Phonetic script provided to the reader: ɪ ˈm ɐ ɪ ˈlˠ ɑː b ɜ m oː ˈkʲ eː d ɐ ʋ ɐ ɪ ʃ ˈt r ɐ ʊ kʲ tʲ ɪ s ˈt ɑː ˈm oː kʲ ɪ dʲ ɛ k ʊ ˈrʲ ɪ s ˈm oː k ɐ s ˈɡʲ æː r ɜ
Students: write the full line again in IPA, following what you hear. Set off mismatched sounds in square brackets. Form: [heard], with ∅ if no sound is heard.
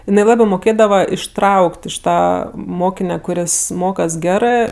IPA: ɪ [ˈn] ɐ ɪ ˈlˠ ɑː b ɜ m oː ˈkʲ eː d ɐ ʋ ɐ ɪ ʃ ˈt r ɐ ʊ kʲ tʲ ɪ [ʃ] ˈt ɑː ˈm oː kʲ ɪ [nʲ] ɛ k ʊ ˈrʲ ɪ s ˈm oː k ɐ s ˈɡʲ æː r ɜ